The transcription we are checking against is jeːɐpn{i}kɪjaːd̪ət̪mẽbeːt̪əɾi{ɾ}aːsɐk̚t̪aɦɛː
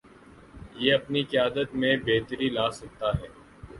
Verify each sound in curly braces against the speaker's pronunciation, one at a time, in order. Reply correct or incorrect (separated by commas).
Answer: correct, incorrect